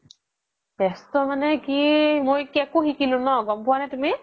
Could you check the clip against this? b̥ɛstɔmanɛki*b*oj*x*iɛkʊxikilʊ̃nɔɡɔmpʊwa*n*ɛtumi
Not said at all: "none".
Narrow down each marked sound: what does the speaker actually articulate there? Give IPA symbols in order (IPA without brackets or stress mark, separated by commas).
m, k, n